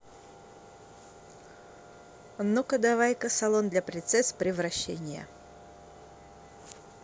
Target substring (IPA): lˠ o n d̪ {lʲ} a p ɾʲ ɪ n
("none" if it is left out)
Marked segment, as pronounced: lʲ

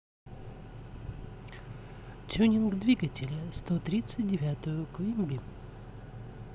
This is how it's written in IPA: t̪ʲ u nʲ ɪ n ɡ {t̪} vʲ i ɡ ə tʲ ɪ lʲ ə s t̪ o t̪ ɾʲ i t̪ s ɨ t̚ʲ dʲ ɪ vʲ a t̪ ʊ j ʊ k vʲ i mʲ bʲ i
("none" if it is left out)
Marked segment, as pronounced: d̪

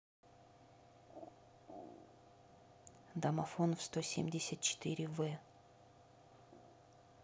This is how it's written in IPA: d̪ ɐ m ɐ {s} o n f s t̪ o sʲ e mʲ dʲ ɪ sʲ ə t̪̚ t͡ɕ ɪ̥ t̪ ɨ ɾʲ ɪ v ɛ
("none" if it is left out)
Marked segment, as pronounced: f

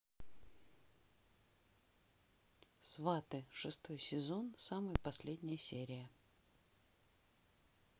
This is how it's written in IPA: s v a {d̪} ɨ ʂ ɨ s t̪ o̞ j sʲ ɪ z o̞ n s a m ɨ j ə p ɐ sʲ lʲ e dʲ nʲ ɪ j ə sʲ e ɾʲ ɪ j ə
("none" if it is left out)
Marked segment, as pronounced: t̪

